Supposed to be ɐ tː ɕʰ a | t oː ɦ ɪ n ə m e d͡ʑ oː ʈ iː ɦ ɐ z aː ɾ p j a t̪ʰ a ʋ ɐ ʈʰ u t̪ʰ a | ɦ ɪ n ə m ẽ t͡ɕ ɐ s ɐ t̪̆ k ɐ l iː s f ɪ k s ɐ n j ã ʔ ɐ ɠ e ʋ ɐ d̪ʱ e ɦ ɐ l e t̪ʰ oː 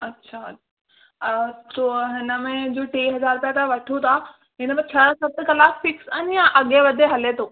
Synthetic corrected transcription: ɐ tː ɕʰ a | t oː ɦ ɪ n ə m ẽ d͡ʑ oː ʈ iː ɦ ɐ z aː ɾ p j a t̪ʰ a ʋ ɐ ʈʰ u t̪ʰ a | ɦ ɪ n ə m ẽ t͡ɕʰ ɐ s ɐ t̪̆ k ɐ l aː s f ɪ k s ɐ n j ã ʔ ɐ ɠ e ʋ ɐ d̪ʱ e ɦ ɐ l e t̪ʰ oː